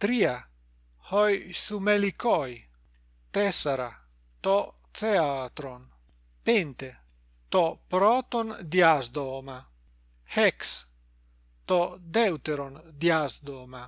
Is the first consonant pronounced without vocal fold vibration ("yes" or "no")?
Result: yes